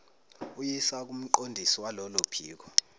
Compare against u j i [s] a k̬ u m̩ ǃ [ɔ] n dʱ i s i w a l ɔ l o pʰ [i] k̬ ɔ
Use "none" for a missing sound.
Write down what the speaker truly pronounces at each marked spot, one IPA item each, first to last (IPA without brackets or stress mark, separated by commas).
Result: s, o, iː